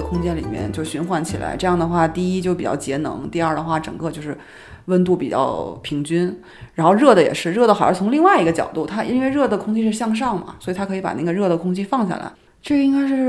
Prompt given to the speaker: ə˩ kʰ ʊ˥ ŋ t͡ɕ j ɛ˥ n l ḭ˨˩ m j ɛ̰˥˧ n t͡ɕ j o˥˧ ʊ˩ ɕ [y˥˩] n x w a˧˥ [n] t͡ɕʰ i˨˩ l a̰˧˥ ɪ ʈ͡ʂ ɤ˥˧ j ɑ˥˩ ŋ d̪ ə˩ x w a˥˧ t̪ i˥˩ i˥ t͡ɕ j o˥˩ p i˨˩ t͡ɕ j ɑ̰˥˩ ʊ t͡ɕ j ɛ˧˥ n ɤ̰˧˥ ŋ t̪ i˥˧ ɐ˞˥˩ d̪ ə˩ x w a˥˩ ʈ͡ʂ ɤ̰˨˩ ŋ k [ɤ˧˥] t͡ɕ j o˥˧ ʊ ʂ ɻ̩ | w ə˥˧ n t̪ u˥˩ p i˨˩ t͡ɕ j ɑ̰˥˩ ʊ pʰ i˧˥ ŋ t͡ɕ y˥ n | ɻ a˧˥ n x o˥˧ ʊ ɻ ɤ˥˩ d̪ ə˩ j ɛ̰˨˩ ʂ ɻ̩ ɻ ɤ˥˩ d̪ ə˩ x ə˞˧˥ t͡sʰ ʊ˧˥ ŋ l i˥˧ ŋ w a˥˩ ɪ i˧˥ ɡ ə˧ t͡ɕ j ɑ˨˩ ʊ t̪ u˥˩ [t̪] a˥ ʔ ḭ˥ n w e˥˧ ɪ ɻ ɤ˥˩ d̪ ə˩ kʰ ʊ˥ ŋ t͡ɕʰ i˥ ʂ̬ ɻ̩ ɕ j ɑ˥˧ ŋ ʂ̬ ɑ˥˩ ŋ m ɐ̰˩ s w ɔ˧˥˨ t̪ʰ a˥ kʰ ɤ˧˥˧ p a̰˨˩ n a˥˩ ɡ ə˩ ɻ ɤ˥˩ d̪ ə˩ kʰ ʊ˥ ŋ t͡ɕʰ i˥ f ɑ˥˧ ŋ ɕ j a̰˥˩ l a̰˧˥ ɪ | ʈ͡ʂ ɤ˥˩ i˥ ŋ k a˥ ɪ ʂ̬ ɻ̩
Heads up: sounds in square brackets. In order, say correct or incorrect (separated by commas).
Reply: incorrect, correct, incorrect, incorrect